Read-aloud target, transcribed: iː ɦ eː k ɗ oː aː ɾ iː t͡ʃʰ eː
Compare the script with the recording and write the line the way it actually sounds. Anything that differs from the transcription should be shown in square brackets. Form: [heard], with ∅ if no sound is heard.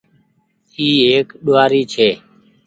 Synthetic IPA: iː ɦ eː k ɗ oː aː ɾ iː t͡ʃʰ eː

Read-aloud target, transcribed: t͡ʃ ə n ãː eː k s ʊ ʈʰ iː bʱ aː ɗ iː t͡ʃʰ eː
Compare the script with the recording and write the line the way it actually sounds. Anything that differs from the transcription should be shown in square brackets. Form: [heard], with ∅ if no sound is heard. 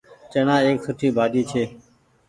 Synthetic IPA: t͡ʃ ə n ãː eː k s ʊ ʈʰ iː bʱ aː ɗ iː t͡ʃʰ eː

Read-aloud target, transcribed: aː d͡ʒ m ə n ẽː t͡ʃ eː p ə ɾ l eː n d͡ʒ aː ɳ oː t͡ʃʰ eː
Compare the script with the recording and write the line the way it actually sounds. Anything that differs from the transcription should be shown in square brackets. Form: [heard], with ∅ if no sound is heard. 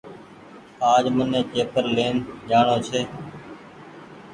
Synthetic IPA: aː d͡ʒ m ə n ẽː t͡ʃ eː p ə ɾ l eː n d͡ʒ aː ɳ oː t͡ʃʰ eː

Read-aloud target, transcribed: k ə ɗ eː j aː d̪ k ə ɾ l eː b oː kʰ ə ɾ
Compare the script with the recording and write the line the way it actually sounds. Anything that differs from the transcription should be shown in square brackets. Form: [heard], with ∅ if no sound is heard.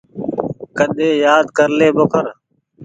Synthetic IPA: k ə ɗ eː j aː d̪ k ə ɾ l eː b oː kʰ ə ɾ

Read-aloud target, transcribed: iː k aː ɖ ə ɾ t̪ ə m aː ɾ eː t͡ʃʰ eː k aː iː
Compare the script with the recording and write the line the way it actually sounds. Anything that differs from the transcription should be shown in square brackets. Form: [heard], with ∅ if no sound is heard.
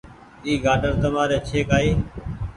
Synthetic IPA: iː [ɡ] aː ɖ ə ɾ t̪ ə m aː ɾ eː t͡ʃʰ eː k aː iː

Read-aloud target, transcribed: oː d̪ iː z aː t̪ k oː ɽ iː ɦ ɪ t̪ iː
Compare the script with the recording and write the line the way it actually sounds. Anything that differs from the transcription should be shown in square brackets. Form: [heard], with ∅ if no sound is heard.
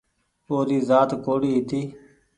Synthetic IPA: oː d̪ iː z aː t̪ k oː ɽ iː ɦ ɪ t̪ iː

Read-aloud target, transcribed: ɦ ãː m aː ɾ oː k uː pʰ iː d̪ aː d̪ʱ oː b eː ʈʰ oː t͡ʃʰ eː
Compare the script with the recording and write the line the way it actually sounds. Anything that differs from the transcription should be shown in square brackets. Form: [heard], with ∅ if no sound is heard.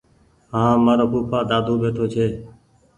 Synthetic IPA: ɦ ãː m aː ɾ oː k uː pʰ [aː] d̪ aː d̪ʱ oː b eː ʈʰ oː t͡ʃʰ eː

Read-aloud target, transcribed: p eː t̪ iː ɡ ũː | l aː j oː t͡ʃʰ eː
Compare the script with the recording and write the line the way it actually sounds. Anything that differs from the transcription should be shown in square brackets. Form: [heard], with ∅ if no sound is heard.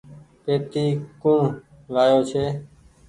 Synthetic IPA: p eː t̪ iː [k] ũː | l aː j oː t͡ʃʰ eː

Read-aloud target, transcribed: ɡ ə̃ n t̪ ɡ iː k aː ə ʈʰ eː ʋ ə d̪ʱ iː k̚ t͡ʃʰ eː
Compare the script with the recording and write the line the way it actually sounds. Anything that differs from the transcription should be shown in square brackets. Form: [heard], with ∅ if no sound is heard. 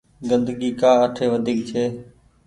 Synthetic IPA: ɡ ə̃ n [d̪] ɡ iː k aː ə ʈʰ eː ʋ ə d̪ʱ iː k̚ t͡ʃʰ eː

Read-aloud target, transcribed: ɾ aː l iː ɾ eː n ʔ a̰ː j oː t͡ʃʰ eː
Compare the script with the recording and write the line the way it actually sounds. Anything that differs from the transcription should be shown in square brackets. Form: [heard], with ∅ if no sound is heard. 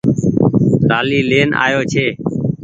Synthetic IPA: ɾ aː l iː [l] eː n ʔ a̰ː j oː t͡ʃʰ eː

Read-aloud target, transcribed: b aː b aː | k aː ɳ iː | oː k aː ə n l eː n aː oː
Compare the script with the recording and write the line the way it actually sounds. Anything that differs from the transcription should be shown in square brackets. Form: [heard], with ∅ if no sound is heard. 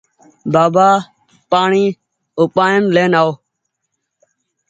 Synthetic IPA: b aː b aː | [p] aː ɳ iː | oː [p] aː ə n l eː n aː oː

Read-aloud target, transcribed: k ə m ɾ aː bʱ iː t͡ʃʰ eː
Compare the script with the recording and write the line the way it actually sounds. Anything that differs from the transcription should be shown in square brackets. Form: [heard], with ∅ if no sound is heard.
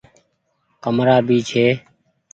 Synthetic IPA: k ə m ɾ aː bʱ iː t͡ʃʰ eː

